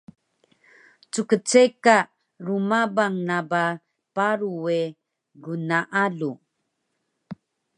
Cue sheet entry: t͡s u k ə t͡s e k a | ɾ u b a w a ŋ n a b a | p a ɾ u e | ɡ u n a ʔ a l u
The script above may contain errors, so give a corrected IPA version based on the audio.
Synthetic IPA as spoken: t͡s u k ə t͡s e k a | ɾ u m a b a ŋ n a b a | p a ɾ u e | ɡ u n a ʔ a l u

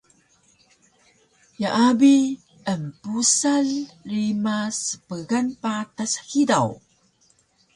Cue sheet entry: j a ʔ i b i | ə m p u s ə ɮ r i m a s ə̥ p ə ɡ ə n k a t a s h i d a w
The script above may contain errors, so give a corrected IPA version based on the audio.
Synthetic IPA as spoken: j a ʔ a b i | ə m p u s a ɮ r i m a s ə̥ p ə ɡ a n p a t a s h i d a w

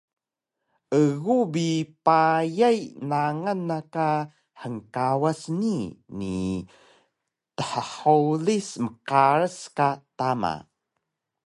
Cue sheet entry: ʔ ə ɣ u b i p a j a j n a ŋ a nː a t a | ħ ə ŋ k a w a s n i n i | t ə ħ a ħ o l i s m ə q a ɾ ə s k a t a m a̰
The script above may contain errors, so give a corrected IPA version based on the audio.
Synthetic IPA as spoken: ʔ ə ɣ u b i p a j a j n a ŋ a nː a k a | ħ ə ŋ k a w a s n i n i | t ə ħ ə ħ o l i s m ə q a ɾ ə s k a t a m a̰

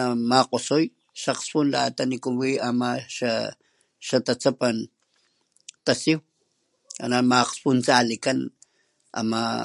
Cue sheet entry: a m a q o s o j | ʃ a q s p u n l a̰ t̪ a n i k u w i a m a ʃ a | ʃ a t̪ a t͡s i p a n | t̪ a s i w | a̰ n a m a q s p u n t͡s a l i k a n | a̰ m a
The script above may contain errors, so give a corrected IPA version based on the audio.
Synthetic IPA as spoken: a m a q o s o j | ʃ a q s p u n l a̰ t̪ a n i k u w i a m a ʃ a | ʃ a t̪ a t͡s a p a n | t̪ a s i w | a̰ n a m a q s p u n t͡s a l i k a n | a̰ m a

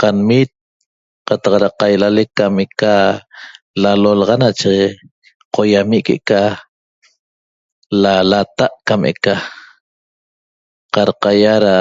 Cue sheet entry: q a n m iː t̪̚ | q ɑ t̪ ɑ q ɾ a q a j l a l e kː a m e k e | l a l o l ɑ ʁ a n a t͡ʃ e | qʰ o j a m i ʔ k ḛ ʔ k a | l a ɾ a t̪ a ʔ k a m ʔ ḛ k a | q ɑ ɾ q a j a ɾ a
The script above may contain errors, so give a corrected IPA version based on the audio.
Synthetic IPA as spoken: q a n m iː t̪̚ | q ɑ t̪ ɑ q ɾ a q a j l a l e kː a m e k a | l a l o l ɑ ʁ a n a t͡ʃ e | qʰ o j a m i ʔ k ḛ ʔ k a | l a l a t̪ a ʔ k a m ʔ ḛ k a | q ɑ ɾ q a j a ɾ a

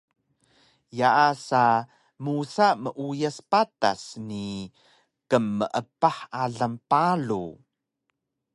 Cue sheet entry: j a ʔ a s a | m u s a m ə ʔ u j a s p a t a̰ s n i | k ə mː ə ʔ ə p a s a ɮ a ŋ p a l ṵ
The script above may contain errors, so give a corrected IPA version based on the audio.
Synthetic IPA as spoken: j a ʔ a s a | m u s a m ə ʔ u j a s p a t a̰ s n i | k ə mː ə ʔ ə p a ħ a ɮ a m p a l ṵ

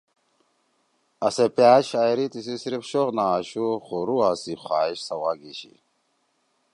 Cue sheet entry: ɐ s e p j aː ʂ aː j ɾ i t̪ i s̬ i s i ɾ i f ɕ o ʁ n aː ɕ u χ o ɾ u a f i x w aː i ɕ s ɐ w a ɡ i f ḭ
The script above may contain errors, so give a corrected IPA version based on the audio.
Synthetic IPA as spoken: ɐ s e p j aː ɕ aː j ɾ i t̪ i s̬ i s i ɾ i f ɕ o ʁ n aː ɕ u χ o ɾ u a s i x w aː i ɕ s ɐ w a ɡ i ɕ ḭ

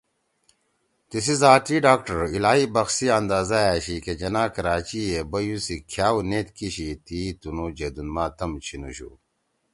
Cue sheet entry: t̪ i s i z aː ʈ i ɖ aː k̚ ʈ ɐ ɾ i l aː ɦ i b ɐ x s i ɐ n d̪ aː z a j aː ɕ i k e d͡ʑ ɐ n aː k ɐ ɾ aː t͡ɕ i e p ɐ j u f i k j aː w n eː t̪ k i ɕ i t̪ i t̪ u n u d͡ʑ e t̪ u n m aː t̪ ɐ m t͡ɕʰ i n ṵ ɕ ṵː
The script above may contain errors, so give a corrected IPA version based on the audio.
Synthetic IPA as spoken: t̪ i s i z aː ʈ i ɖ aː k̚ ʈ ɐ ɾ i l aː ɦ i b ɐ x s i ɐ n d̪ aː z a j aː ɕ i k e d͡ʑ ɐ n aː k ɐ ɾ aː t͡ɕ i e b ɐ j u s i kʰ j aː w n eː t̪ k i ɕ i t̪ i t̪ u n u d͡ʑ e d̪ u n m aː t̪ ɐ m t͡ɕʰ i n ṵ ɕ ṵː

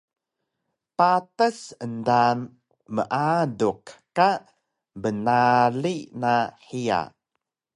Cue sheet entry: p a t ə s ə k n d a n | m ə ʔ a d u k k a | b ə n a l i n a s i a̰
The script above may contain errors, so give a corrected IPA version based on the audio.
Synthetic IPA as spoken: p a t ə s ə n d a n | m ə ʔ a d u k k a | b ə n a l i n a ħ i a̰

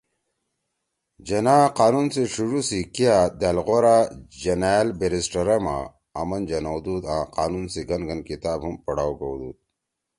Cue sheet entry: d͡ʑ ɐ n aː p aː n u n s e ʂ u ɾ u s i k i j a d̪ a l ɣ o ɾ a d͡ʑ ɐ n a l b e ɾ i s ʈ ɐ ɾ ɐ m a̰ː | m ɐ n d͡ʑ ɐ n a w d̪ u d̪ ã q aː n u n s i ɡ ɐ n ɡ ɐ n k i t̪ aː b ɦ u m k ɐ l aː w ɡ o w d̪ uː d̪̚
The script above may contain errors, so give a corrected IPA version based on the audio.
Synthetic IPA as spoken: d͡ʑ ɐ n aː q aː n u n s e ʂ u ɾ u s i k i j a d̪ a l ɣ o ɾ a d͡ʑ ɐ n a l b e ɾ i s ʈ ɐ ɾ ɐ m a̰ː | m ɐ n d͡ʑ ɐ n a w d̪ u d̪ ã q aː n u n s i ɡ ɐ n ɡ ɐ n k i t̪ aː b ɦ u m p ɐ ɽ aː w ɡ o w d̪ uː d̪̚

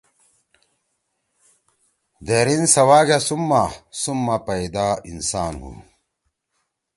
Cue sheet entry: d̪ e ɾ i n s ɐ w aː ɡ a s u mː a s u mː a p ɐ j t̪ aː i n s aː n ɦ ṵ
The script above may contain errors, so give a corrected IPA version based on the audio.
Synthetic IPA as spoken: d̪ e ɾ i n s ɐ w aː ɡ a s u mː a s u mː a p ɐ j d̪ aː i n s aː n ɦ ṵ

